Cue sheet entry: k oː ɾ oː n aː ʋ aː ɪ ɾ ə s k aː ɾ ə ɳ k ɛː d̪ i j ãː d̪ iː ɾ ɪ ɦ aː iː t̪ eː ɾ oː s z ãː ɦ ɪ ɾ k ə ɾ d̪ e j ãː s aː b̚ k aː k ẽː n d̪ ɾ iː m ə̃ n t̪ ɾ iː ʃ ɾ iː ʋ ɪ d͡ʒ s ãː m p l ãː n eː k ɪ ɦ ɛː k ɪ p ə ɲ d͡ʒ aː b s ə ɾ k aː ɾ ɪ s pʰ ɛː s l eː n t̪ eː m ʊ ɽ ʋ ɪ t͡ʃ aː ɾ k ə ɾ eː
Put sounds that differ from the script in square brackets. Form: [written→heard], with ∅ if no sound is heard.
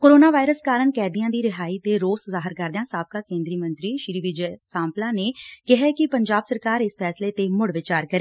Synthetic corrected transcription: k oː ɾ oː n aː ʋ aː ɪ ɾ ə s k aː ɾ ə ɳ k ɛː d̪ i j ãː d̪ iː ɾ ɪ ɦ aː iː t̪ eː ɾ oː s z [ãː→aː] ɦ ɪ ɾ k ə ɾ d̪ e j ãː s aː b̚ k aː k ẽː n d̪ ɾ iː m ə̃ n t̪ ɾ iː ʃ ɾ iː ʋ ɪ d͡ʒ s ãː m p l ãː n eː k ɪ ɦ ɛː k ɪ p ə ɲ d͡ʒ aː b s ə ɾ k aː ɾ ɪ s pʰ ɛː s l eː [n→∅] t̪ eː m ʊ ɽ ʋ ɪ t͡ʃ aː ɾ k ə ɾ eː